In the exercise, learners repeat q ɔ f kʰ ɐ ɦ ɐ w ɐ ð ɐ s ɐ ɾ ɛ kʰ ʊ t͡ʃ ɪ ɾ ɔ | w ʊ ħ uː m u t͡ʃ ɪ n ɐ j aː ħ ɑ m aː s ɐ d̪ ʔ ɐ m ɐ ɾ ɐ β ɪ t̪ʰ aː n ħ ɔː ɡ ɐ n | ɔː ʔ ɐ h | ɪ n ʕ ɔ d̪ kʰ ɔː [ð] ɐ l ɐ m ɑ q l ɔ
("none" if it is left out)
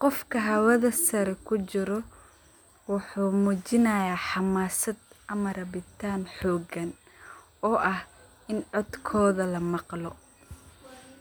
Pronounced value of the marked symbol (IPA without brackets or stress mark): ð